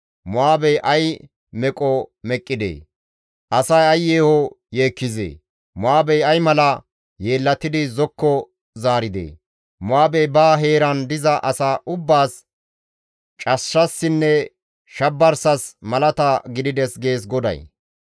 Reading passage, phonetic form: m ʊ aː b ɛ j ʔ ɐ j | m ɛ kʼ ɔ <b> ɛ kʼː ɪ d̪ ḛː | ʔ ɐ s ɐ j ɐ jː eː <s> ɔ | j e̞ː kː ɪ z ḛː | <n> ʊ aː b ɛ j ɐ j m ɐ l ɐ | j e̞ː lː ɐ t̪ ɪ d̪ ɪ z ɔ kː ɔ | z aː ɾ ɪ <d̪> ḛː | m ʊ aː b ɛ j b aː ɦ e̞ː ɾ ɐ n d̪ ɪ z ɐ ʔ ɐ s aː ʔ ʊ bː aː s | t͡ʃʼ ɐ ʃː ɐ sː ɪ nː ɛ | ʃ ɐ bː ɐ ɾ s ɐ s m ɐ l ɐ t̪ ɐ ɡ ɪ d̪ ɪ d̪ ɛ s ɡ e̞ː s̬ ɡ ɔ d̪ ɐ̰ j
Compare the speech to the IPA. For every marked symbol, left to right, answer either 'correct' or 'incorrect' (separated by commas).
incorrect, incorrect, incorrect, correct